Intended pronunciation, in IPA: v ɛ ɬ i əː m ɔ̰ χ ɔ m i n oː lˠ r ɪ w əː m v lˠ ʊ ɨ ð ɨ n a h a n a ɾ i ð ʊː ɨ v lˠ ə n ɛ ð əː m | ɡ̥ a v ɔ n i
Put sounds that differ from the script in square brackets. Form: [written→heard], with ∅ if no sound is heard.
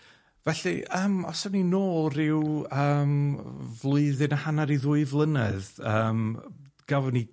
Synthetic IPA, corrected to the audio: v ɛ ɬ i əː m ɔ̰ [χ→s] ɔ [m→n] i n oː lˠ r ɪ w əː m v lˠ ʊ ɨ ð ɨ n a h a n a ɾ i ð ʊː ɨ v lˠ ə n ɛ ð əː m | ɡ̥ a v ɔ n i